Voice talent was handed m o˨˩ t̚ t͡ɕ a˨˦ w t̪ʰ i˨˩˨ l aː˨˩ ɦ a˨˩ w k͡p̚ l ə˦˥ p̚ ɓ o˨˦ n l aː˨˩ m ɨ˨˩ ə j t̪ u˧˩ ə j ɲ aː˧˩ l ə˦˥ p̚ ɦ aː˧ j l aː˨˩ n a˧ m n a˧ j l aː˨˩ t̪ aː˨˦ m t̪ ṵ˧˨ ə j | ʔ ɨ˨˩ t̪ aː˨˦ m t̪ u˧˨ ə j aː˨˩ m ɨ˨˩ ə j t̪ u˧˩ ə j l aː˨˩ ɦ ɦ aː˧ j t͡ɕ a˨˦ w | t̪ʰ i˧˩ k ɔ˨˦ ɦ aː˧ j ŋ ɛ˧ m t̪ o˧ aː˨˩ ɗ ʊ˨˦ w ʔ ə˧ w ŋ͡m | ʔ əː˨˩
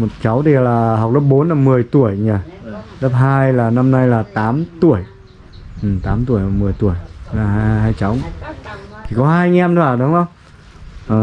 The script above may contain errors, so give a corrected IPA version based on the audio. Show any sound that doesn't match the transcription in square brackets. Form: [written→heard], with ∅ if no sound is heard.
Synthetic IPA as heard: m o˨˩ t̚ t͡ɕ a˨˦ w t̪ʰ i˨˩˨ l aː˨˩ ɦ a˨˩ w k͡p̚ l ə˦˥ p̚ ɓ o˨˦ n l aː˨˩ m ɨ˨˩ ə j t̪ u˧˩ ə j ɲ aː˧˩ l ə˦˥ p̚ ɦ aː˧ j l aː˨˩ n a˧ m n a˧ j l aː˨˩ t̪ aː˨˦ m t̪ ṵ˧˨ ə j | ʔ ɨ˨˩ t̪ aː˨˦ m t̪ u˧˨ ə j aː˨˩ m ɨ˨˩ ə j t̪ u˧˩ ə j l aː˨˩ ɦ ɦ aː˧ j t͡ɕ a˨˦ w | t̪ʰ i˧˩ k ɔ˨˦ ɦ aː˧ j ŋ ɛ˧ m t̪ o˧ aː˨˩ ɗ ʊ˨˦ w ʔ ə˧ w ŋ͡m | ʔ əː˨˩